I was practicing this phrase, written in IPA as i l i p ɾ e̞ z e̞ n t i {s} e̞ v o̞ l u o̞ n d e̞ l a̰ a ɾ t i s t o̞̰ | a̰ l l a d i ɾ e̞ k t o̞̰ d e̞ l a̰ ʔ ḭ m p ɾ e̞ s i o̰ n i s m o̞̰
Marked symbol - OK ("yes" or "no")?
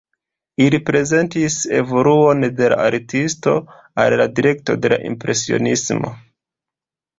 yes